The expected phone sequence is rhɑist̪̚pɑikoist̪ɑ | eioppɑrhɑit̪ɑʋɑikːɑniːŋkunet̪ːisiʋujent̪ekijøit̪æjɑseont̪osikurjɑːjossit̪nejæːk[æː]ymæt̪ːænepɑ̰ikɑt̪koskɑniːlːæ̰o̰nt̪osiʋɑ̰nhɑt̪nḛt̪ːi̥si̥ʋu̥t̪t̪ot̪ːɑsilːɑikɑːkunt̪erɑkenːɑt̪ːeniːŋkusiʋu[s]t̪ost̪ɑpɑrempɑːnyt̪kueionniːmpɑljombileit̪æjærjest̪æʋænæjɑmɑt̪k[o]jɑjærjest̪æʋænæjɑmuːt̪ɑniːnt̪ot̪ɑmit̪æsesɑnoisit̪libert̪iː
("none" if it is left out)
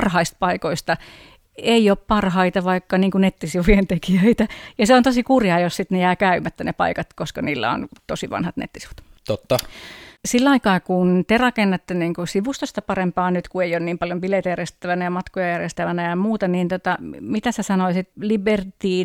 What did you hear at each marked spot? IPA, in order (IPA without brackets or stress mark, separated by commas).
æ, s, o